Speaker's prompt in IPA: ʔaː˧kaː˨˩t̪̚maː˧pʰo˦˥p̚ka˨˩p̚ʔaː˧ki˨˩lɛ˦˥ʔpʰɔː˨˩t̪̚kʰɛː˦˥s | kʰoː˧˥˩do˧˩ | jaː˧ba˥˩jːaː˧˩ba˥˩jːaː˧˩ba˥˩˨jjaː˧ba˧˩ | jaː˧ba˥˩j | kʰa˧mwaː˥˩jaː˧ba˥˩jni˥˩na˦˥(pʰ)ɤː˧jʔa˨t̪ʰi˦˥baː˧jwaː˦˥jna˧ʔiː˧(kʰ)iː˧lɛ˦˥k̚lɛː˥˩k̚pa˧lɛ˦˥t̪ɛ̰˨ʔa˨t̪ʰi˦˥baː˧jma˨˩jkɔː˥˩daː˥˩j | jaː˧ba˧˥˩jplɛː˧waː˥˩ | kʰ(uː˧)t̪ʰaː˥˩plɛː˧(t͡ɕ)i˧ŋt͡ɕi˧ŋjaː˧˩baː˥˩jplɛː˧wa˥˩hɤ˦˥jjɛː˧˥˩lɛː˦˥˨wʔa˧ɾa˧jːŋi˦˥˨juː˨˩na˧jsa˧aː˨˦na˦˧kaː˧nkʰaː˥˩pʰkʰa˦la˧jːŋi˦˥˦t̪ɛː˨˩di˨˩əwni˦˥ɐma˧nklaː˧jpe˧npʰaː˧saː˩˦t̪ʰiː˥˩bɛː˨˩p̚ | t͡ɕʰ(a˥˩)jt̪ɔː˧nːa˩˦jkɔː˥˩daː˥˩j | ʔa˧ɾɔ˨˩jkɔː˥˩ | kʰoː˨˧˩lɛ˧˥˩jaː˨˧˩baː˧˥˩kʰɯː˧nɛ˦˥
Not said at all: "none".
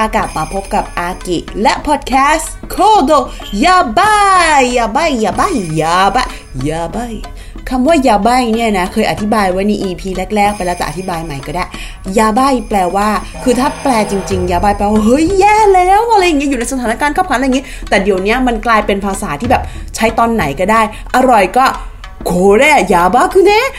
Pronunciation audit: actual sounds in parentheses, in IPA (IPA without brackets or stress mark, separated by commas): kʰ, pʰ, ɯː˧, t͡ɕ, a˦˥